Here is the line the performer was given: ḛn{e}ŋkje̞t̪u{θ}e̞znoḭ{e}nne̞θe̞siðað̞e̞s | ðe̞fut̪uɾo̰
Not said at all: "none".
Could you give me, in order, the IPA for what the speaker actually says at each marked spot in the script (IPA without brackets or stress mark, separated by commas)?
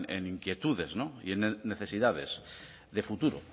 i, ð, e